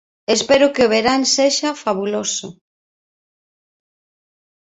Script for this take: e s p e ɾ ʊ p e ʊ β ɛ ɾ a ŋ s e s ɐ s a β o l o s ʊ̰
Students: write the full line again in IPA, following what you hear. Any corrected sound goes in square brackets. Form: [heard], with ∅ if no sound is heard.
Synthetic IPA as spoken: e s p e ɾ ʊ [k] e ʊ β [e] ɾ a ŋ s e [ʃ] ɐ [f] a β [u] l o s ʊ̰